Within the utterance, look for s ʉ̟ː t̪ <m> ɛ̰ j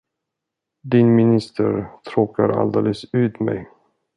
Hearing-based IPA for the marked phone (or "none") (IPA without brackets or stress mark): m